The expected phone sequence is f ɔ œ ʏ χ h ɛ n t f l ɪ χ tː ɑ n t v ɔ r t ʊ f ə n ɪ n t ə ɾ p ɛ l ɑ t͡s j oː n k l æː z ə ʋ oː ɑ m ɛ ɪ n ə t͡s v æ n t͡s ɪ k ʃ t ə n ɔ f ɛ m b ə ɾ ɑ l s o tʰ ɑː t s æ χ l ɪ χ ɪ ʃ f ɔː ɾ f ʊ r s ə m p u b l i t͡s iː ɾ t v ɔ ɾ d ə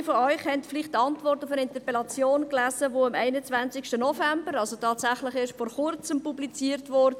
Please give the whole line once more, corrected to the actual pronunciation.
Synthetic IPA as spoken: f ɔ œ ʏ χ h ɛ n t f l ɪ χ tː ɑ n t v ɔ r t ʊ f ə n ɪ n t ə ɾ p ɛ l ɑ t͡s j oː n k l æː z ə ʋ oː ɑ m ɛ ɪ n ə t͡s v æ n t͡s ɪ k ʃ t ə n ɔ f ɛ m b ə ɾ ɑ l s o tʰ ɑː t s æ χ l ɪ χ ɪ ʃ f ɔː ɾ χ ʊ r t͡s ə m p u b l i t͡s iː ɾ t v ɔ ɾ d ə